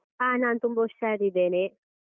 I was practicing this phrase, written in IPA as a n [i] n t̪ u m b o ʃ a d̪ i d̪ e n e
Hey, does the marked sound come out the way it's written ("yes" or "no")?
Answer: no